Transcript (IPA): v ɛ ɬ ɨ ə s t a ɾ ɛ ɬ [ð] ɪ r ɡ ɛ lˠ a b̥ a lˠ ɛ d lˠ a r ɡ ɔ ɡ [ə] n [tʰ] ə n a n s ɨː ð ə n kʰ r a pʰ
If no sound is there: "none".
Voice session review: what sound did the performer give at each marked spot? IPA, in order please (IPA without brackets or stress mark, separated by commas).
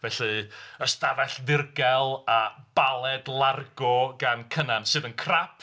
ð, a, kʰ